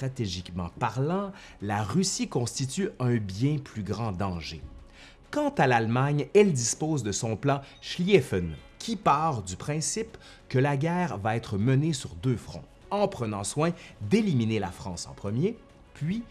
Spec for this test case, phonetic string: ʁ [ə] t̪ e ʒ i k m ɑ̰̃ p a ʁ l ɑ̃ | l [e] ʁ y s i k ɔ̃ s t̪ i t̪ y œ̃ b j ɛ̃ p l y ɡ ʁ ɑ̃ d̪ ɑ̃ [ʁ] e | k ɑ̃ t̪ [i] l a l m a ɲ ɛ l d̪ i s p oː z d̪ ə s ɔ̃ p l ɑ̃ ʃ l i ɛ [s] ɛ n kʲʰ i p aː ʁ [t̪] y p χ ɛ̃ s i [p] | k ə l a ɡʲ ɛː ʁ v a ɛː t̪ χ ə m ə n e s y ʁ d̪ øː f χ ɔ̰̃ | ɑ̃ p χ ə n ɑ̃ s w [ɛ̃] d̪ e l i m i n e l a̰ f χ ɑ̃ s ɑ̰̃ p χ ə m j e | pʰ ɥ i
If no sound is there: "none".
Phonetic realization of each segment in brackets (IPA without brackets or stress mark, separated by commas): a, a, ʒ, a, f, d̪, p, ɛ̃